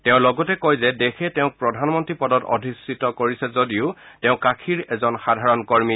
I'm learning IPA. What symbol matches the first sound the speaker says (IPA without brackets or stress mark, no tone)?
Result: t